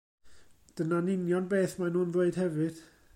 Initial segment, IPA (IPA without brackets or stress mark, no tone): d̥